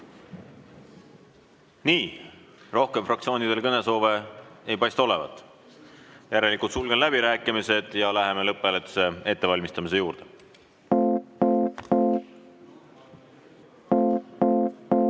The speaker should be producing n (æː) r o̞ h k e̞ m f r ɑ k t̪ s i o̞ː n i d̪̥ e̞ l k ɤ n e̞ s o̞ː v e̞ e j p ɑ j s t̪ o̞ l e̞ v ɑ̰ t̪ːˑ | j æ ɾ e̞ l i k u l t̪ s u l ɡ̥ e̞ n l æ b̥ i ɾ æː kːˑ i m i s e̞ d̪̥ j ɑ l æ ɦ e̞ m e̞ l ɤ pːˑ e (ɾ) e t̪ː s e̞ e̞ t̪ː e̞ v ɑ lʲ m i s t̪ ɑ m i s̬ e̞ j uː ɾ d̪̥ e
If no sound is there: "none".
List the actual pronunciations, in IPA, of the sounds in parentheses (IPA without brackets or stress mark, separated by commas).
iː, l